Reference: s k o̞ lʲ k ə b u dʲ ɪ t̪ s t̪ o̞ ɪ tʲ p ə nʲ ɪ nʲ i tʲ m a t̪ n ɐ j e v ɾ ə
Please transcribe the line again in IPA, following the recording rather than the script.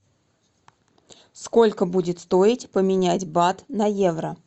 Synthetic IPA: s k o̞ lʲ k ə b u dʲ ɪ t̪ s t̪ o̞ ɪ tʲ p ə mʲ ɪ nʲ æ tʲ b a t̪ n ɐ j e v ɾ ə